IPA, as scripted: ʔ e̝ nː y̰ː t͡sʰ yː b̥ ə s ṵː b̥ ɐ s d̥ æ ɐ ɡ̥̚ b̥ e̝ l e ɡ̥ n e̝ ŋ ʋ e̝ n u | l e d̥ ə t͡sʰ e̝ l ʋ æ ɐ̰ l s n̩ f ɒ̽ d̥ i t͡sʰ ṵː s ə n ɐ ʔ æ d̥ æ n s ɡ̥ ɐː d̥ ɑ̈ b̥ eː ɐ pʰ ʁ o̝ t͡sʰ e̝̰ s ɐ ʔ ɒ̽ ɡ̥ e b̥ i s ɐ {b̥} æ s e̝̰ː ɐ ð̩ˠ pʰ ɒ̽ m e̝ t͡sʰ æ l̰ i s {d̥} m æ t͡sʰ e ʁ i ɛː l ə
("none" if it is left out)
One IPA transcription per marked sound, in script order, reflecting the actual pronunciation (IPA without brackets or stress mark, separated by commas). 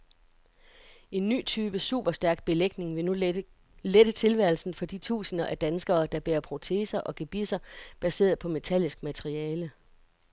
b̥, ɡ̥